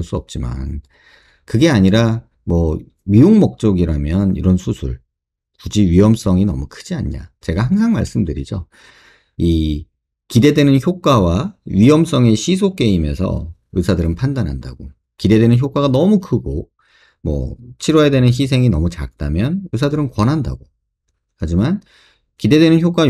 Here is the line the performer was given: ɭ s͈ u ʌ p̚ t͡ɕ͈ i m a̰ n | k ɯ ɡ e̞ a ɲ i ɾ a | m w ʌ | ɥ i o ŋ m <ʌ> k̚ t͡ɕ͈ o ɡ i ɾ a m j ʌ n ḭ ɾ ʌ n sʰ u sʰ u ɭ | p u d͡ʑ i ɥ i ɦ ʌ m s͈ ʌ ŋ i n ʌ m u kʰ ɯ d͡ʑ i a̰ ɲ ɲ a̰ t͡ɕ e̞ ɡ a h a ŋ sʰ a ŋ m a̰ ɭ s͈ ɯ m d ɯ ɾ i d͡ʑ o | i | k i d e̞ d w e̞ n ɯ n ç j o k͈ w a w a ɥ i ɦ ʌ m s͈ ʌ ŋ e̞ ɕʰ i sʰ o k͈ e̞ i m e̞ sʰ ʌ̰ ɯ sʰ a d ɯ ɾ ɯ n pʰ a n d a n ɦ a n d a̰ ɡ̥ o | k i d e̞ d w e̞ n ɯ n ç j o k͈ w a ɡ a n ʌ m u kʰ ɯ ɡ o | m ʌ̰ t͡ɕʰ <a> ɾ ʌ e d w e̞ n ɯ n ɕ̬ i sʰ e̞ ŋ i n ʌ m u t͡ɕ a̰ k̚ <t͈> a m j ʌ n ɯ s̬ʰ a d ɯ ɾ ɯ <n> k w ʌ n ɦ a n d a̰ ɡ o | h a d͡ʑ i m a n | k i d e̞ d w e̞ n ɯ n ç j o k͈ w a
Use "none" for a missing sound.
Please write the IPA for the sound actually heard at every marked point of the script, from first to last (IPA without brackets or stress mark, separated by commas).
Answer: ʌ, i, t͈, n